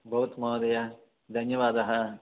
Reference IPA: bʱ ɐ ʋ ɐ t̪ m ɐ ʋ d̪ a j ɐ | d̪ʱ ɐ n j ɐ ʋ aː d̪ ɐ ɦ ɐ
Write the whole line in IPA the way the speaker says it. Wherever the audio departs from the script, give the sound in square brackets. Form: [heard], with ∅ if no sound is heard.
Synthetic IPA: bʱ ɐ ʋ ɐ t̪ m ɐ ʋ d̪ [ɐ] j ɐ | d̪ʱ ɐ n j ɐ ʋ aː d̪ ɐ ɦ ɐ